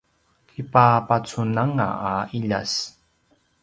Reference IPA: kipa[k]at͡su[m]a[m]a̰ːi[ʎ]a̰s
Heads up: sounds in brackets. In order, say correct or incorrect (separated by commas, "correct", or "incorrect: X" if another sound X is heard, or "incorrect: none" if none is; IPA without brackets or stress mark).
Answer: incorrect: p, incorrect: n, incorrect: ŋ, correct